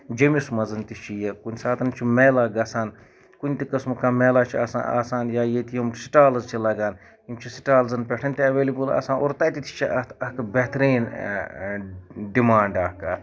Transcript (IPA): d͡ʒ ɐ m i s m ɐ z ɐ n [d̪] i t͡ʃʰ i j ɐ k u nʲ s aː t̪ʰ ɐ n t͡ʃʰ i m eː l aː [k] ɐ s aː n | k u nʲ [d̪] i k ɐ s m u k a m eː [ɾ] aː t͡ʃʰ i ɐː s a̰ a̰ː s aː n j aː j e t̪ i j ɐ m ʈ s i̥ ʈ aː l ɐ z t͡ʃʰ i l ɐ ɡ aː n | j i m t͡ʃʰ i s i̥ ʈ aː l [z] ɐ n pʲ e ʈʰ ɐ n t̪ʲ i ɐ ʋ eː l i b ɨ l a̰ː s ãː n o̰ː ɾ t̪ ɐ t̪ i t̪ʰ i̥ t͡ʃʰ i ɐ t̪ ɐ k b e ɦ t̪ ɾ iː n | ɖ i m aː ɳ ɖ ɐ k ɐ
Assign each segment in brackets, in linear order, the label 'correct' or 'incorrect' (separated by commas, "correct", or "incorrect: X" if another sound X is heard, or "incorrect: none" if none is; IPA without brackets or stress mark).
incorrect: t̪, incorrect: ɡ, incorrect: t̪, incorrect: l, correct